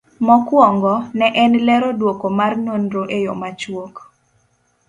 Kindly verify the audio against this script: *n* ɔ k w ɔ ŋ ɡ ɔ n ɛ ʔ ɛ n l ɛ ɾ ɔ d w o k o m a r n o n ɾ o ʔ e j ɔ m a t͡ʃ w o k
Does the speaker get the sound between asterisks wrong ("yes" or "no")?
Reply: yes